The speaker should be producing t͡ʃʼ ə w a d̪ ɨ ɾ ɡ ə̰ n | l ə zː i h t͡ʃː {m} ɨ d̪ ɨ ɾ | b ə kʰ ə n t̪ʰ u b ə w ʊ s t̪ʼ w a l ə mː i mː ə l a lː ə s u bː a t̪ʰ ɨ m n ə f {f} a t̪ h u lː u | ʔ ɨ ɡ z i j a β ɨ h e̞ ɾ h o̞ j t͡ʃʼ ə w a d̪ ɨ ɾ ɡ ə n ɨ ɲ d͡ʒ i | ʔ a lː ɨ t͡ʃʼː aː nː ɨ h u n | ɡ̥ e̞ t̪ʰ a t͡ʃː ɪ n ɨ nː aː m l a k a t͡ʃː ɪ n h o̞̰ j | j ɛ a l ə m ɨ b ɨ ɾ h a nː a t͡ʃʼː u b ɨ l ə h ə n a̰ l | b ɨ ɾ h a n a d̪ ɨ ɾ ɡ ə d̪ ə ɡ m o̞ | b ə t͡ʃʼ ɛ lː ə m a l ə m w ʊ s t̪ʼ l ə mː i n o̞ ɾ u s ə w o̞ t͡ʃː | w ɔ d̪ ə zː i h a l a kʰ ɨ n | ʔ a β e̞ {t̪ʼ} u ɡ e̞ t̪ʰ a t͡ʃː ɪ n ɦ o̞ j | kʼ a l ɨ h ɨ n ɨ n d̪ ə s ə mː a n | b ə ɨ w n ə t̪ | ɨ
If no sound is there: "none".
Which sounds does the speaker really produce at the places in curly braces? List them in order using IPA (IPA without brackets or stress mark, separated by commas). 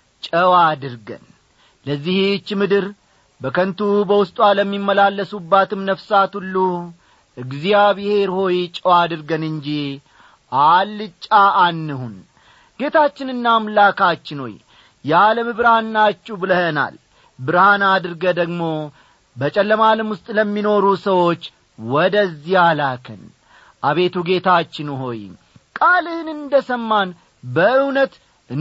m, s, t̪